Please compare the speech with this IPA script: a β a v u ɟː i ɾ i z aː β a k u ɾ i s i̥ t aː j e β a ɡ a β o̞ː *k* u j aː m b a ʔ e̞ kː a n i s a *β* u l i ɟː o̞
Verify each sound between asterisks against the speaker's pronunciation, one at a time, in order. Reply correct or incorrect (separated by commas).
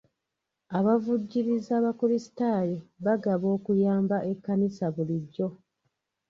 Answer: correct, correct